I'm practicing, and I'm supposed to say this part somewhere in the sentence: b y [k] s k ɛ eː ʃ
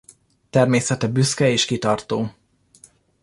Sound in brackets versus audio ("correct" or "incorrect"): incorrect